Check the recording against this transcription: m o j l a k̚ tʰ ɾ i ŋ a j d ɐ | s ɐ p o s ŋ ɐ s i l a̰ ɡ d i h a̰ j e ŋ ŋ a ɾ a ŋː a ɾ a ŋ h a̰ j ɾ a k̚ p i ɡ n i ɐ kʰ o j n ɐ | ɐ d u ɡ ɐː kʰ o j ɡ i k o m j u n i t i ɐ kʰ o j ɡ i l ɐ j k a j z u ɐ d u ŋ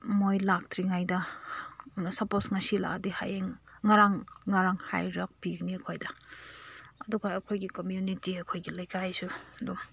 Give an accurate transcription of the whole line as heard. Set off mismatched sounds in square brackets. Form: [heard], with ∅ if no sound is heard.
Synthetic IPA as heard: m o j l a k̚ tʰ ɾ i ŋ a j d ɐ | s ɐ p o s ŋ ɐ s i l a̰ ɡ d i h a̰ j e ŋ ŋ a ɾ a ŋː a ɾ a ŋ h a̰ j ɾ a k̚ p i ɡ n i ɐ kʰ o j [d] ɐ | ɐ d u ɡ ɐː kʰ o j ɡ i k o m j u n i t i ɐ kʰ o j ɡ i l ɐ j k a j [s] u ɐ d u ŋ